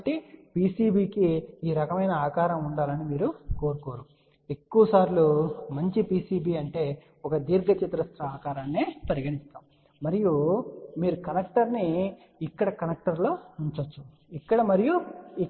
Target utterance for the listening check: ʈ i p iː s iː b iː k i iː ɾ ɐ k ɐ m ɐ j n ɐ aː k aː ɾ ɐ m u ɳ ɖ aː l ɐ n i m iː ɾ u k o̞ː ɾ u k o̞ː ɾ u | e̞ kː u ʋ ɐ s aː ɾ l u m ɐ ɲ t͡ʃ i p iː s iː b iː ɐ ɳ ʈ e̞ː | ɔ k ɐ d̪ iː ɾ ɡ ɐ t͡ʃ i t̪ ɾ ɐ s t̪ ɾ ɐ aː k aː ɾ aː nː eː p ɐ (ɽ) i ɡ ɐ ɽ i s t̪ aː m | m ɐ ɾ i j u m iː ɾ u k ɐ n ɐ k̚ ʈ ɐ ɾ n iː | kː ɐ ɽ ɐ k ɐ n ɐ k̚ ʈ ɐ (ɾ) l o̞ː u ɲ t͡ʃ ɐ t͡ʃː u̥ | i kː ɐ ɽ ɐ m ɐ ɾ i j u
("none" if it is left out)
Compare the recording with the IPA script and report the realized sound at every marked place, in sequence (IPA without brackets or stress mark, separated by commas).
ɾ, ɾ